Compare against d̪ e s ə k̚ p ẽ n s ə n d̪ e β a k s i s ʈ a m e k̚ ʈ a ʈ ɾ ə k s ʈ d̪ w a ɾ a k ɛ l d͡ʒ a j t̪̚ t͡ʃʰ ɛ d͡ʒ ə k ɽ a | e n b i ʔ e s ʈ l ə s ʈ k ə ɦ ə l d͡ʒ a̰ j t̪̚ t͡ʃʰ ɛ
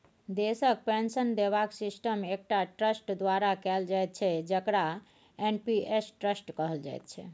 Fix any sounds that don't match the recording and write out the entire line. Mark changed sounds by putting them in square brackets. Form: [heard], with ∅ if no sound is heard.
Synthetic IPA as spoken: d̪ e s ə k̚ p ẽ n s ə n d̪ e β a k s i s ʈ [ə] m e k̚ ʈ a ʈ ɾ ə [∅] s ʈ d̪ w a ɾ a k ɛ l d͡ʒ a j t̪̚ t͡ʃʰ ɛ d͡ʒ ə k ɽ a | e n [p] i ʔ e s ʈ [ɾ] ə s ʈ k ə ɦ ə l d͡ʒ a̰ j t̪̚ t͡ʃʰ ɛ